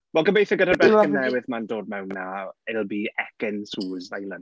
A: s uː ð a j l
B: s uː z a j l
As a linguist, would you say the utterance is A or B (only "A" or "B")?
B